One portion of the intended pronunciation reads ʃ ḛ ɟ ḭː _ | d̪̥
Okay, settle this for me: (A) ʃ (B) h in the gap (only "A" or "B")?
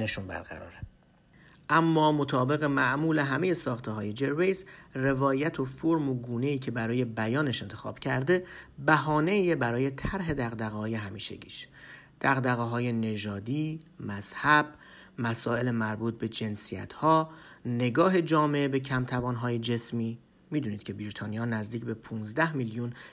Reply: A